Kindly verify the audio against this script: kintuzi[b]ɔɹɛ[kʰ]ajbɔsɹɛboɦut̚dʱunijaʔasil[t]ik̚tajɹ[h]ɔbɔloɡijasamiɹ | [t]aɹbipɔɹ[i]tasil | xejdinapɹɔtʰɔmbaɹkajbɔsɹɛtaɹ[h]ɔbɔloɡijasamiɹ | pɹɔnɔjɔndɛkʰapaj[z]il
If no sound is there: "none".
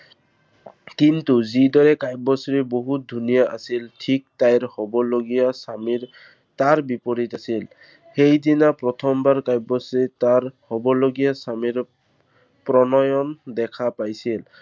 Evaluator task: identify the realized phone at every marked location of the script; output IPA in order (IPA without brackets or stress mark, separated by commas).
d, k, tʰ, h, t, i, h, s